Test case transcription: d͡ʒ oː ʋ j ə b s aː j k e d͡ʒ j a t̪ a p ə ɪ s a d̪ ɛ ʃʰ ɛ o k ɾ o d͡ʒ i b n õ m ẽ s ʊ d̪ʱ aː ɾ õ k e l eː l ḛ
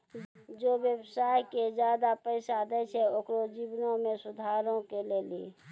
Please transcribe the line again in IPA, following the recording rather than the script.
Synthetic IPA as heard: d͡ʒ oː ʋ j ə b s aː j k e d͡ʒ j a d̪ a p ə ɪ s a d̪ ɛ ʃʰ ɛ o k ɾ o d͡ʒ i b n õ m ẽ s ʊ d̪ʱ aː ɾ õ k e l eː l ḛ